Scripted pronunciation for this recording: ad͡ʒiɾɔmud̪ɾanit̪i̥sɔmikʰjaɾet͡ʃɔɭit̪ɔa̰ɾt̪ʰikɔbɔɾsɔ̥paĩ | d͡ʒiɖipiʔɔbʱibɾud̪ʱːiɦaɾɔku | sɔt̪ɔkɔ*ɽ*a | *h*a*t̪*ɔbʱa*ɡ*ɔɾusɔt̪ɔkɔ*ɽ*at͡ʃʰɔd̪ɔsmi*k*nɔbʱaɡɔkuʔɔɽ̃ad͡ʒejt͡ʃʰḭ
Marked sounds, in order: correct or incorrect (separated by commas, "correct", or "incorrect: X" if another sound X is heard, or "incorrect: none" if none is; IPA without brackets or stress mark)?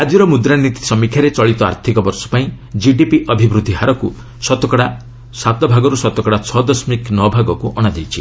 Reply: correct, incorrect: s, correct, correct, correct, correct